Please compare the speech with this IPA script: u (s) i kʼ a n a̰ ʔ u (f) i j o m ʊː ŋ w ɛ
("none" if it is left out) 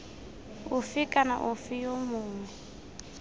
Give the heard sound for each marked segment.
f, f

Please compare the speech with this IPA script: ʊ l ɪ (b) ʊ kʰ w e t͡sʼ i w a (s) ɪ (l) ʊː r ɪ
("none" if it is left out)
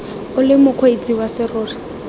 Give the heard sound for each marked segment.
m, s, r

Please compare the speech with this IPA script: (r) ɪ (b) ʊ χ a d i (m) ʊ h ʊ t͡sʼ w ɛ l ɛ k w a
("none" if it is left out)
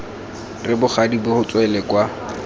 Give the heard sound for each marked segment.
r, b, b

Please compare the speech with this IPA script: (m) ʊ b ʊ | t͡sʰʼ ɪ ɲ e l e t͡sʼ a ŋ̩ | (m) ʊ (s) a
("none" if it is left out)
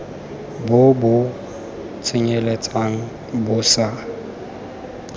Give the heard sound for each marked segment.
b, b, s

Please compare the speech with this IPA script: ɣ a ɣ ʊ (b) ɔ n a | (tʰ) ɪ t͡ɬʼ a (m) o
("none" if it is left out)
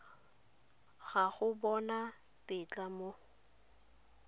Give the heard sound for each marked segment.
b, t, m

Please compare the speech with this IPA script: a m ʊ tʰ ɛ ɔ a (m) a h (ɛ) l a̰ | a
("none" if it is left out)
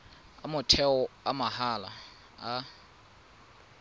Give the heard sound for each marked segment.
m, a

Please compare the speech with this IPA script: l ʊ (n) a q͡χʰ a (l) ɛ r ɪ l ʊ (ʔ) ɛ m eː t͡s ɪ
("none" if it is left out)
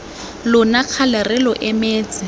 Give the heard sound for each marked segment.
n, l, ʔ

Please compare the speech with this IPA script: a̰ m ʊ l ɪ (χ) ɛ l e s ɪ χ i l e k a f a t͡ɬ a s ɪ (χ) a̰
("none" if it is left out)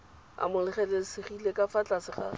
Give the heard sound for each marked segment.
χ, χ

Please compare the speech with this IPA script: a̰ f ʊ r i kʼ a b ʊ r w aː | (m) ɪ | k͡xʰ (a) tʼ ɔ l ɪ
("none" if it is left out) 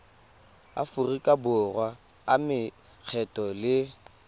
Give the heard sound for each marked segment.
m, ɛ

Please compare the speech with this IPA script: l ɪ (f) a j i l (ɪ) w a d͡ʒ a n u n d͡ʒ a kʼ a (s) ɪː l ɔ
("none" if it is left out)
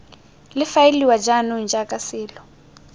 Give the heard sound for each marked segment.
f, i, s

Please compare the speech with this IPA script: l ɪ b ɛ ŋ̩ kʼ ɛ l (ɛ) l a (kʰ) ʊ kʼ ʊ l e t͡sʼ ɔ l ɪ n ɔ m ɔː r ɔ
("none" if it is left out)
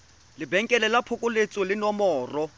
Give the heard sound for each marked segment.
ɛ, pʰ

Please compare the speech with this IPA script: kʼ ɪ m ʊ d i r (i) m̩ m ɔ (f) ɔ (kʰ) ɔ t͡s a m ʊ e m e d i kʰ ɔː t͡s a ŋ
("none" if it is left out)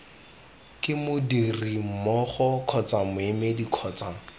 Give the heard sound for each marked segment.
i, χ, kʰ

